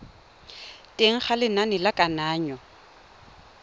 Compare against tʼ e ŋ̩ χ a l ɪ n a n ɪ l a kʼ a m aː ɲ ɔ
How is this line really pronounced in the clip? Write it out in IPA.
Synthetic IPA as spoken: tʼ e ŋ̩ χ a l ɪ n a n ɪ l a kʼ a n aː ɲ ɔ